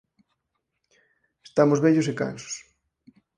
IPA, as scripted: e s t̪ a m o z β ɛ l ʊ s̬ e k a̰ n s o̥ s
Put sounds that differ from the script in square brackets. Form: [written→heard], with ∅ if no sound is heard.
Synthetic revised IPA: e s t̪ a m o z β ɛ [l→ʎ] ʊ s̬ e k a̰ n s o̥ s